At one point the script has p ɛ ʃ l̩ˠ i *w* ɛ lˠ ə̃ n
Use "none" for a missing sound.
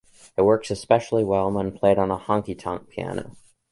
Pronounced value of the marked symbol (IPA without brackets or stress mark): w